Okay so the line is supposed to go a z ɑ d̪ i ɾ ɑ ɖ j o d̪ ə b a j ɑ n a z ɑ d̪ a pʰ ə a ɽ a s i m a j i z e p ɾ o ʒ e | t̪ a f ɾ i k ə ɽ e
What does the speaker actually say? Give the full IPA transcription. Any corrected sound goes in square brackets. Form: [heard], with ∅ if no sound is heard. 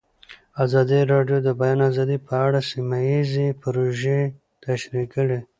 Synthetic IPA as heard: a z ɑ d̪ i ɾ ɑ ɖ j o d̪ ə b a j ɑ n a z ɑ d̪ [i] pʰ ə a ɽ a s i m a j i z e p ɾ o ʒ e | t̪ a [ʃ] ɾ i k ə ɽ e